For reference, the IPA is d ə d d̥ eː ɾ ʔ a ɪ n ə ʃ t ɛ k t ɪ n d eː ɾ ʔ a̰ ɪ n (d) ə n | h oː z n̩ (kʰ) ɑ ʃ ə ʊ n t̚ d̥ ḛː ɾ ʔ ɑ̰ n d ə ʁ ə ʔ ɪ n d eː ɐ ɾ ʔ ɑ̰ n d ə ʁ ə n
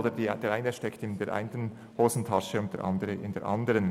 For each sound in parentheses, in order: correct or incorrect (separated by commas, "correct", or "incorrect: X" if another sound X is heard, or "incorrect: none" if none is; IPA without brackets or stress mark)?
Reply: incorrect: t, incorrect: tʰ